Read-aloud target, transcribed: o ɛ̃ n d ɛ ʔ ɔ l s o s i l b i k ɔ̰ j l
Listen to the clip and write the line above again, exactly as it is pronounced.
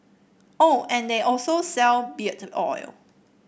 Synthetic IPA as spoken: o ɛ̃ n d e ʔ ɔ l s o s ɛ l b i t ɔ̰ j l